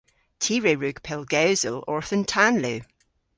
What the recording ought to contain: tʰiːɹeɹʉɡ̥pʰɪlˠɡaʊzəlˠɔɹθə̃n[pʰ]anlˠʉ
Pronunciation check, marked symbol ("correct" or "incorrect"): incorrect